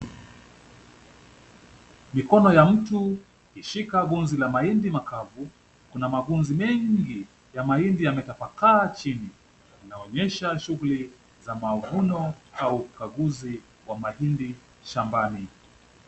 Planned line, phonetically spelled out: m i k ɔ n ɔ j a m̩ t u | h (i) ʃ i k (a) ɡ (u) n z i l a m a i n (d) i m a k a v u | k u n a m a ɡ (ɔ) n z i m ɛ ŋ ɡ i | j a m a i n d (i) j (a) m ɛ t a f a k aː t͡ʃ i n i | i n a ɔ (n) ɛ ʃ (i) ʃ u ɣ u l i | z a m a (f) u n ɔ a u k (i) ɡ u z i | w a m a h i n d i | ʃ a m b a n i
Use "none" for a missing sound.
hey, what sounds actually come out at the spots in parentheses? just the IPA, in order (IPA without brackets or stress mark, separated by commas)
i, a, u, d, u, i, a, ɲ, a, v, a